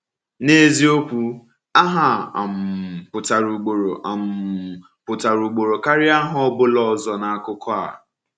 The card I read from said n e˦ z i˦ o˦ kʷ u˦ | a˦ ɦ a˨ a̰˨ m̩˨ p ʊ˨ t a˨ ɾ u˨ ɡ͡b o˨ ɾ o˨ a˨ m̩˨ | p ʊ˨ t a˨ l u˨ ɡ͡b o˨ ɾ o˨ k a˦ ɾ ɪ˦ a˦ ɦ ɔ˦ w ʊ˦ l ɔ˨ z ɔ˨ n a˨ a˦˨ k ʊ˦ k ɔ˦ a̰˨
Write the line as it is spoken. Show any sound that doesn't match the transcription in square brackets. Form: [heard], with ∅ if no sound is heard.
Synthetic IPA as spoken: n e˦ z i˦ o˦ kʷ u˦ | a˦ ɦ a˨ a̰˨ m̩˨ p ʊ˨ t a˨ ɾ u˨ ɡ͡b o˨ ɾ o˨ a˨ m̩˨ | p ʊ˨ t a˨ [ɾ] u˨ ɡ͡b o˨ ɾ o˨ k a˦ ɾ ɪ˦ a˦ ɦ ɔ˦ [b] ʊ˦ l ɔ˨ z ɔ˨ n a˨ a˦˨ k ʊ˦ k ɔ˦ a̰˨